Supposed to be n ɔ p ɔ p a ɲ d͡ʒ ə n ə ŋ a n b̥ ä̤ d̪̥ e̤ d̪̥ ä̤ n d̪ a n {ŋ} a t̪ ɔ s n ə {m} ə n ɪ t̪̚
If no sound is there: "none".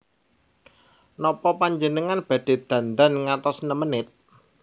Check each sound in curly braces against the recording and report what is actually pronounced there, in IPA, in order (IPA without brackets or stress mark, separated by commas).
ŋ, m